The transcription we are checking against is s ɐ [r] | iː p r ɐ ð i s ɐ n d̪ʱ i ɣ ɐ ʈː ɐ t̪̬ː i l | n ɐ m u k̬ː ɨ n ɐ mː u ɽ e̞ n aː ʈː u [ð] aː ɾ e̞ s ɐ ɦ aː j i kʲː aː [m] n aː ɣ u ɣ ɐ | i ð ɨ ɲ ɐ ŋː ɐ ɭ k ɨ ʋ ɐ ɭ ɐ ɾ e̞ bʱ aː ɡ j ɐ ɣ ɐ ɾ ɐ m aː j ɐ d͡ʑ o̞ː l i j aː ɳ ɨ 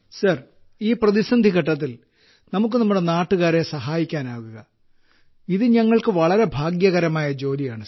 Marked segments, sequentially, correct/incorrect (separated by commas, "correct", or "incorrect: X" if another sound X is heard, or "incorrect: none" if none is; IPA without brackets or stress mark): correct, incorrect: ɣ, incorrect: none